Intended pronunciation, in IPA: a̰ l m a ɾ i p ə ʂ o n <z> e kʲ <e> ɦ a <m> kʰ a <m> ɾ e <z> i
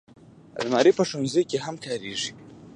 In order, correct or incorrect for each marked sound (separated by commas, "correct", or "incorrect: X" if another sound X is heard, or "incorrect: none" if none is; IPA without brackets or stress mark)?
correct, correct, correct, incorrect: none, incorrect: ʐ